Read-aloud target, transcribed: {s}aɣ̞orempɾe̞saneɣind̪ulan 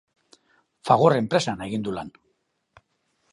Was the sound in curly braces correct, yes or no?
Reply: no